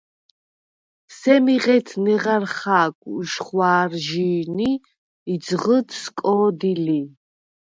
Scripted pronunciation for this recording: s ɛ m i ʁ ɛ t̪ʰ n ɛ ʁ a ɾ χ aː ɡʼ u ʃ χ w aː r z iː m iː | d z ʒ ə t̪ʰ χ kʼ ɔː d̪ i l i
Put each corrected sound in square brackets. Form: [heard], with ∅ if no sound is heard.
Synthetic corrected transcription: s ɛ m i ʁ ɛ t̪ʰ n ɛ ʁ a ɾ χ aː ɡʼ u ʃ χ w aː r [ʒ] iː [n] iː | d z [ʁ] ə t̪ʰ [s] kʼ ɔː d̪ i l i